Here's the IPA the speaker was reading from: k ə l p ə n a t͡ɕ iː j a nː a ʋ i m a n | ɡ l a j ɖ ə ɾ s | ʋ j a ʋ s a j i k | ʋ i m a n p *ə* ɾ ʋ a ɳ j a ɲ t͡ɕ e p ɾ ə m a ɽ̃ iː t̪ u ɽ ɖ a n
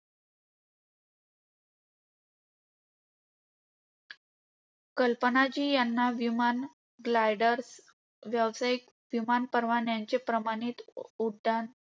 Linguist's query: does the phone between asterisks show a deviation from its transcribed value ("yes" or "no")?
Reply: no